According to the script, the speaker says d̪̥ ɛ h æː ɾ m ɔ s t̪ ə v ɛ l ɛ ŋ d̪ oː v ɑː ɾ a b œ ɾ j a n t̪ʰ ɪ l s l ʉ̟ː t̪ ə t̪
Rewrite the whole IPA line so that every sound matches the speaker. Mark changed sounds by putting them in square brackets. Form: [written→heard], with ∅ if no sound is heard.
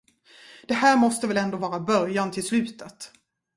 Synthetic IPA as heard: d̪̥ ɛ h æː ɾ m ɔ s t̪ ə v ɛ l ɛ [ŋ→n] d̪ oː v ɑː ɾ a b œ ɾ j a n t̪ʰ ɪ l s l ʉ̟ː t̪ ə t̪